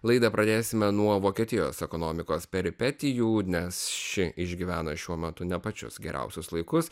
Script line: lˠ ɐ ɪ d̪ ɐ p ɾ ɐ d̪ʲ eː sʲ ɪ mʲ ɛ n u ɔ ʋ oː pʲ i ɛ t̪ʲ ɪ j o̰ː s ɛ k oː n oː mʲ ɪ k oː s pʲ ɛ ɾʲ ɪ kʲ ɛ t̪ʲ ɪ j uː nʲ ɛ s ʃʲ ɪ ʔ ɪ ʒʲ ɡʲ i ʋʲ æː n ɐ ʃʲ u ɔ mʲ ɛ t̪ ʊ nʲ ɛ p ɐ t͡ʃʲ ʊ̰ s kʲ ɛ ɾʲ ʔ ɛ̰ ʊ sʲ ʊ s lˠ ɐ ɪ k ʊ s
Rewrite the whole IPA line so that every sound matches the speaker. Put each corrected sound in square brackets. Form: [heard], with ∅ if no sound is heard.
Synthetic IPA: lˠ ɐ ɪ d̪ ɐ p ɾ ɐ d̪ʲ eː sʲ ɪ mʲ ɛ n u ɔ ʋ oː [kʲ] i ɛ t̪ʲ ɪ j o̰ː s ɛ k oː n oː mʲ ɪ k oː s pʲ ɛ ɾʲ ɪ [pʲ] ɛ t̪ʲ ɪ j uː nʲ ɛ s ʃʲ ɪ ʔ ɪ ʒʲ ɡʲ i ʋʲ æː n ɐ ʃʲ u ɔ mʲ ɛ t̪ ʊ nʲ ɛ p ɐ t͡ʃʲ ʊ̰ s [ɡʲ] ɛ ɾʲ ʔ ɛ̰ ʊ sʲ ʊ s lˠ ɐ ɪ k ʊ s